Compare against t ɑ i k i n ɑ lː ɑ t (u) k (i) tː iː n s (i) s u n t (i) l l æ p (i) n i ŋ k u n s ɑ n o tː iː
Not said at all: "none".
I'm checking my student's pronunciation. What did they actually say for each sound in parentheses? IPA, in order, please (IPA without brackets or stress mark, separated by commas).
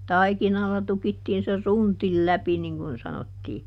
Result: u, i, e, i, i